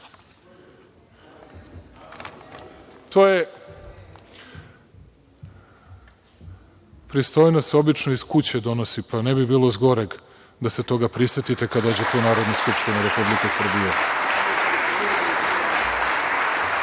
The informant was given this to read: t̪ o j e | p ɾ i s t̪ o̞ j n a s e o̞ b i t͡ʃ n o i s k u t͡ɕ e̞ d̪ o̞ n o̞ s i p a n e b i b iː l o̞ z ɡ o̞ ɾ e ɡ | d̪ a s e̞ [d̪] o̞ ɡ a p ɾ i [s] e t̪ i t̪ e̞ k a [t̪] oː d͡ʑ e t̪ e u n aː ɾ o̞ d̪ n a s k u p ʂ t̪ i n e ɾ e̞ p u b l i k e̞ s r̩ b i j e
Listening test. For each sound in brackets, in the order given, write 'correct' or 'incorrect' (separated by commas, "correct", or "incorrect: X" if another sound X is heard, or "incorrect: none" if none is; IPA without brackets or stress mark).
incorrect: t̪, correct, incorrect: d̪